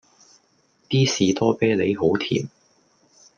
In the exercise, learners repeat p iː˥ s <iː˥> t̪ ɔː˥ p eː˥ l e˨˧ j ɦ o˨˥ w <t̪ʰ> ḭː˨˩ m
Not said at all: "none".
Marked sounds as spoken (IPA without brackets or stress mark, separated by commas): iː˨, t̪ʰ